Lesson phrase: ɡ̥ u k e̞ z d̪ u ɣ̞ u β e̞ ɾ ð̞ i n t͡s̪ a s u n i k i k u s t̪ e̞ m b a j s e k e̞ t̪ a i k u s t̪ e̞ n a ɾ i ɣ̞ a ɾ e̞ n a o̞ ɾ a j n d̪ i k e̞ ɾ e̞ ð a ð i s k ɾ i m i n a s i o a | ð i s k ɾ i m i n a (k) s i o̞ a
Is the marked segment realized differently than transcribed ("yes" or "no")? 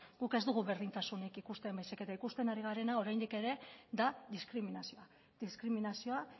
yes